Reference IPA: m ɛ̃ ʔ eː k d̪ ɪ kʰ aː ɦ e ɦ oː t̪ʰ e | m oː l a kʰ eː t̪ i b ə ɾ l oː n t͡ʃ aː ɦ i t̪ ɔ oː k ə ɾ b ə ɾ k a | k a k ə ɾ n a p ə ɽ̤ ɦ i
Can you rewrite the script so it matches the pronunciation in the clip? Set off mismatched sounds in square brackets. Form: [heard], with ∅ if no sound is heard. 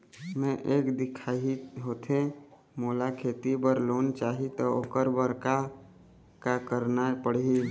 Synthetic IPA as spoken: m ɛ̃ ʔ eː k d̪ ɪ kʰ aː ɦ [i] ɦ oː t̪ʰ e | m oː l a kʰ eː t̪ i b ə ɾ l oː n t͡ʃ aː ɦ i t̪ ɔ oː k ə ɾ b ə ɾ k a | k a k ə ɾ n a p ə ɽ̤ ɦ i